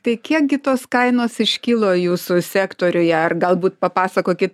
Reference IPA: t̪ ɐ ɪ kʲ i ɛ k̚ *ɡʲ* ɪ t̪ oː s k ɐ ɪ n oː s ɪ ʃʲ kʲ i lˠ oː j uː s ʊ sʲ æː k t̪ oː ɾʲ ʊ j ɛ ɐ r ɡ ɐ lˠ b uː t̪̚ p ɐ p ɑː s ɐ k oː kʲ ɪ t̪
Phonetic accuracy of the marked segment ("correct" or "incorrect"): correct